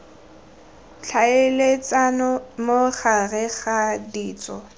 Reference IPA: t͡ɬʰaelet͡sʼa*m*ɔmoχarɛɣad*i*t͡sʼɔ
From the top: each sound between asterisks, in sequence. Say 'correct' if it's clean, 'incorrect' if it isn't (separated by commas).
incorrect, incorrect